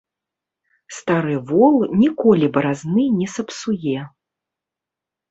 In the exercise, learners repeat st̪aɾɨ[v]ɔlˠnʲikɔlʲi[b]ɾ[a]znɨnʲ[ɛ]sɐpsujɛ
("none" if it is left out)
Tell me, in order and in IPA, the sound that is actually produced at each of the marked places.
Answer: v, b, a, ɛ

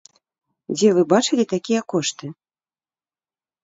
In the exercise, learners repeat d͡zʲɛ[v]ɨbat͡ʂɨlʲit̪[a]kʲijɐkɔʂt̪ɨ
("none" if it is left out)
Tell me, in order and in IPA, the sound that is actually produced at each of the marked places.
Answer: v, a

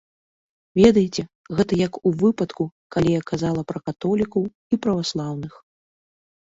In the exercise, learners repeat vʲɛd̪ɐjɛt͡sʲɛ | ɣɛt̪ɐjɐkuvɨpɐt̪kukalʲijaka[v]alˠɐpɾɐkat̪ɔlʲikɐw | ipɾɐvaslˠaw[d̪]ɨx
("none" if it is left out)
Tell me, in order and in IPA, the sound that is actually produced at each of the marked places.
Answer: z, n̪

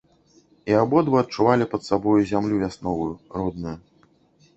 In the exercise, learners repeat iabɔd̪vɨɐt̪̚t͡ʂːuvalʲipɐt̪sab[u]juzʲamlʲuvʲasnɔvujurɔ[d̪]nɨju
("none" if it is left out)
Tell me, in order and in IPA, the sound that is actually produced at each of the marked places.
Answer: ɔ, d̪

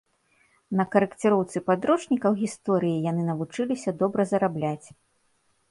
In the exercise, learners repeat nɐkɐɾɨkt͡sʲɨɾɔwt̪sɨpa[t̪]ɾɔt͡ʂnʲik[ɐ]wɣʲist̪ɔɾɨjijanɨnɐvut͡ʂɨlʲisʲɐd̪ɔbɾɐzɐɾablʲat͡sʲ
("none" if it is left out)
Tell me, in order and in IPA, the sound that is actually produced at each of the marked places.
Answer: d̪, ɐ

